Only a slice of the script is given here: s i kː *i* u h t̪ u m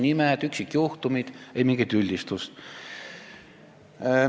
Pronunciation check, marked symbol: incorrect: j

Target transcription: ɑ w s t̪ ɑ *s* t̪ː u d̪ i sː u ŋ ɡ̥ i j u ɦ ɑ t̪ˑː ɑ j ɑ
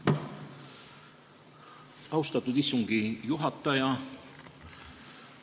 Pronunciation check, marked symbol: incorrect: none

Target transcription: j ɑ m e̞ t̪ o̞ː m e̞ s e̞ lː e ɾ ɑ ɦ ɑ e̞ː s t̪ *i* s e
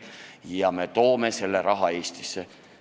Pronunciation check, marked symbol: correct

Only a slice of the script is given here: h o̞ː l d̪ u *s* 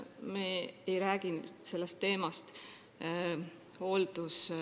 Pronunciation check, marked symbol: correct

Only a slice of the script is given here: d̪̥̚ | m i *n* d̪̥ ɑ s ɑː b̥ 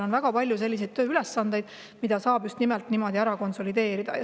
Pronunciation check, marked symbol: incorrect: none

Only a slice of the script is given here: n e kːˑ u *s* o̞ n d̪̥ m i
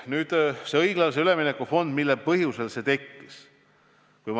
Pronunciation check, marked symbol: incorrect: f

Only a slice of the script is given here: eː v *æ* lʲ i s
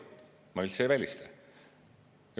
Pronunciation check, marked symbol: correct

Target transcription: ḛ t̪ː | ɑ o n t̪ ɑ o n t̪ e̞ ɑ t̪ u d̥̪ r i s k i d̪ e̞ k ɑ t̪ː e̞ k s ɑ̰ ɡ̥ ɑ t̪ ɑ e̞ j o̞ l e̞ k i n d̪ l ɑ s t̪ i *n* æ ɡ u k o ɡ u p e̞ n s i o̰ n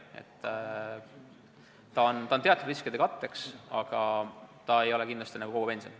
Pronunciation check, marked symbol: correct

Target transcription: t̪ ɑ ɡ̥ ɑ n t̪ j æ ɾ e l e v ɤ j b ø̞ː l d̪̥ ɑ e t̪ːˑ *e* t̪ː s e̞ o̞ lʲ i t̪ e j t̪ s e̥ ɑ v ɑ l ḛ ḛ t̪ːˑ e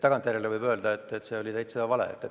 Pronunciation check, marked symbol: correct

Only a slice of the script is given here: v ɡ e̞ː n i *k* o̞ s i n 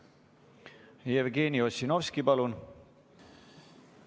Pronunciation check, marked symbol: incorrect: none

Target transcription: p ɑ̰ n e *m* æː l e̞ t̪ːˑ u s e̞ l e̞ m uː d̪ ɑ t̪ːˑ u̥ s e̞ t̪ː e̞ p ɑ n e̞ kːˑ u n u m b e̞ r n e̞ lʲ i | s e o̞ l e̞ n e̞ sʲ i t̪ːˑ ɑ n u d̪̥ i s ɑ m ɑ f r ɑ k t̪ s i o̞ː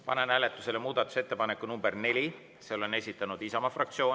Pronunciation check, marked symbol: incorrect: n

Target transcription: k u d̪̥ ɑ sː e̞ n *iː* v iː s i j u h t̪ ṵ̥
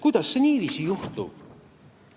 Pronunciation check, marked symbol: correct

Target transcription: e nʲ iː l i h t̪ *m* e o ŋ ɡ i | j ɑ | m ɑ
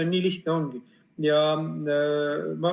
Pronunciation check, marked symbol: incorrect: n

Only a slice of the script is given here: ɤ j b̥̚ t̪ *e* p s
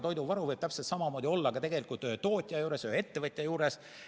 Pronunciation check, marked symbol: incorrect: æ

